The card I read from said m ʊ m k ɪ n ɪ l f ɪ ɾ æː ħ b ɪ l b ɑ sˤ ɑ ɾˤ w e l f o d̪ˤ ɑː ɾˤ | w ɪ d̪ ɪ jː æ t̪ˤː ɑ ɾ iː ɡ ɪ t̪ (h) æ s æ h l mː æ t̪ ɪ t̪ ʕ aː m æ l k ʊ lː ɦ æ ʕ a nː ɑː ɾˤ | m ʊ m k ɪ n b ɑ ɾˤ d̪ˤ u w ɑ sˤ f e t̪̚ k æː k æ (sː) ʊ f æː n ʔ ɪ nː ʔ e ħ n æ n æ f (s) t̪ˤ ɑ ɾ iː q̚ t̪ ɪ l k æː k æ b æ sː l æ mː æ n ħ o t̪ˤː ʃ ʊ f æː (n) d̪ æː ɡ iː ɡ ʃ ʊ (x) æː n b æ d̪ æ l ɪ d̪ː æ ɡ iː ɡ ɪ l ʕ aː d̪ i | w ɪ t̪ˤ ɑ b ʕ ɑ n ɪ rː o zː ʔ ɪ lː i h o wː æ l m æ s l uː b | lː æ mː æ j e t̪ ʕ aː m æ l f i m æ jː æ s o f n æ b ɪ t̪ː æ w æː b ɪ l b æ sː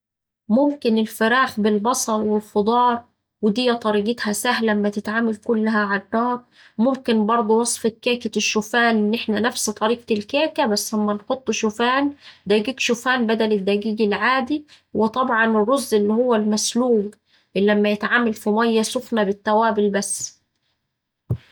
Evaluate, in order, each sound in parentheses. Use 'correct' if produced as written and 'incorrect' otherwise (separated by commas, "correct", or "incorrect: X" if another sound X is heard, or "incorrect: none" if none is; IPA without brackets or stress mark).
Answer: correct, incorrect: ʃː, correct, correct, incorrect: f